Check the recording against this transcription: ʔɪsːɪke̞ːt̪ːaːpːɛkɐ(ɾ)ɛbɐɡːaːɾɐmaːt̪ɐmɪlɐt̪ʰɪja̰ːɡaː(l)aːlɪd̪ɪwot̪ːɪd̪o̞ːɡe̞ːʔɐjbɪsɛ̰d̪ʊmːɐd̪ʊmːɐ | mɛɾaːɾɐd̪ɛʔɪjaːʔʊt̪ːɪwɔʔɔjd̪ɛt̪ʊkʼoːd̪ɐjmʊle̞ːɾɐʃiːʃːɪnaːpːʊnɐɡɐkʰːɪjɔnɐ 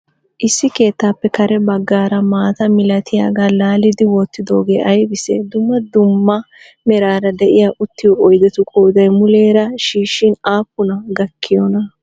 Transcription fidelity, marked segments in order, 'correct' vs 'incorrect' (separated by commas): correct, correct